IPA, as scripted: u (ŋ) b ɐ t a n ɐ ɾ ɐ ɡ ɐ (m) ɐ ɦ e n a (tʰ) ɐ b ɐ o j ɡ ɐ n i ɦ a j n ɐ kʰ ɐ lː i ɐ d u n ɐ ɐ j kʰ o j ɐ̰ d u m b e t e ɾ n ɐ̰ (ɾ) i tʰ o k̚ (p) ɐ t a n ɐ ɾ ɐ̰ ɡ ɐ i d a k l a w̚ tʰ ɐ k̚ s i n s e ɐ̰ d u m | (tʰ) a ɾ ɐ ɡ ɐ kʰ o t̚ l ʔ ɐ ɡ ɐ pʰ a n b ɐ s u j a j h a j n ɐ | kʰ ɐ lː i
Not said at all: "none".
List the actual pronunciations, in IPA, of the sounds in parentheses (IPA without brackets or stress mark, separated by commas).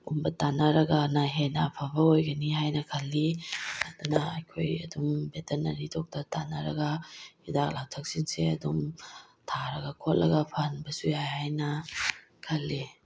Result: m, n, pʰ, ɾ, t, tʰ